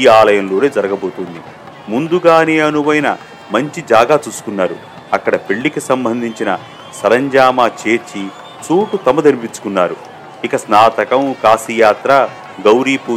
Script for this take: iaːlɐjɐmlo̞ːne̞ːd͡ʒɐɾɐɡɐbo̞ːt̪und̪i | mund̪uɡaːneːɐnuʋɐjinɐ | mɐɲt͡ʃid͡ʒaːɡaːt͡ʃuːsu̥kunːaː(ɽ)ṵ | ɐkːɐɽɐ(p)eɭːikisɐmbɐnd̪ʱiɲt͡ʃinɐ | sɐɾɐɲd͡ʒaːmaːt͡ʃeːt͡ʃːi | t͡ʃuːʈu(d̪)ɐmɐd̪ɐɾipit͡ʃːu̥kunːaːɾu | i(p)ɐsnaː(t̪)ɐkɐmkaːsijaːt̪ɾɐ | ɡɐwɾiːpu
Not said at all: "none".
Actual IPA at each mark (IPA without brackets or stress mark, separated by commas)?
ɾ, p, t̪, k, t̪